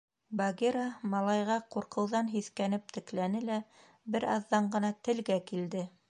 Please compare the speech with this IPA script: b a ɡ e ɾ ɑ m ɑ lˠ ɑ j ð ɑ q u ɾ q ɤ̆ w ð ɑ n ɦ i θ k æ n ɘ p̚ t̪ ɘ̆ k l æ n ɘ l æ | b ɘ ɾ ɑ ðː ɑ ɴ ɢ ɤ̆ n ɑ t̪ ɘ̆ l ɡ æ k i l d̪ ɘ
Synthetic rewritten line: b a ɡ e ɾ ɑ m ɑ lˠ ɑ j ʁ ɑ q u ɾ q ɤ̆ w ð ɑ n ɦ i θ k æ n ɘ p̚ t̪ ɘ̆ k l æ n ɘ l æ | b ɘ ɾ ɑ ðː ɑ ɴ ɢ ɤ̆ n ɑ t̪ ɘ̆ l ɡ æ k i l d̪ ɘ